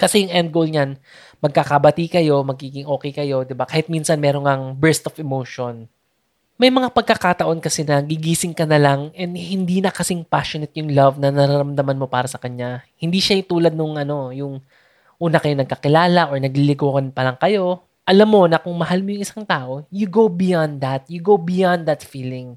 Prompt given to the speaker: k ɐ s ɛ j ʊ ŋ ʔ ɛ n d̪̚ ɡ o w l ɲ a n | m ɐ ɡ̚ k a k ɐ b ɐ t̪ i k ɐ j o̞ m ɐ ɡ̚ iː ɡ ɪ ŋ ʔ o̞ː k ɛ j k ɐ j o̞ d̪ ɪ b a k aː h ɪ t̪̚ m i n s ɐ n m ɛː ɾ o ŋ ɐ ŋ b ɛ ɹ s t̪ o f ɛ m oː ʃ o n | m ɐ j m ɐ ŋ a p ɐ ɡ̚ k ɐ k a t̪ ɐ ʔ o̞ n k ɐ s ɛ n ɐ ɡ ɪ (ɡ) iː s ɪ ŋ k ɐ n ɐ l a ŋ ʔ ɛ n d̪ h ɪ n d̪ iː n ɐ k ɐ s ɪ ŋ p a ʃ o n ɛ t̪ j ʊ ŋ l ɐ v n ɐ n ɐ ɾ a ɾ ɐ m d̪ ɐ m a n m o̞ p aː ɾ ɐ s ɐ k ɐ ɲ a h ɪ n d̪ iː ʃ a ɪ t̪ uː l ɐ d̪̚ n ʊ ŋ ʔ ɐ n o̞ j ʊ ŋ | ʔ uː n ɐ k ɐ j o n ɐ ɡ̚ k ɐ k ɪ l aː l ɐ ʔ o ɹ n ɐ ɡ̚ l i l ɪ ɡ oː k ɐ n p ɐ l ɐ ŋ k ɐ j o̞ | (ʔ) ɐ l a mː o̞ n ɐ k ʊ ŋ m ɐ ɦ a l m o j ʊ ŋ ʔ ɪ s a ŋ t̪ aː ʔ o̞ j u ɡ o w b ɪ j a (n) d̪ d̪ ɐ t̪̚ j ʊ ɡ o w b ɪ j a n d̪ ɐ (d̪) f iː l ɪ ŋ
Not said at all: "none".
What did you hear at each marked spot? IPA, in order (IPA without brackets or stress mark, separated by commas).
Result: ɡ, ʔ, n, t̪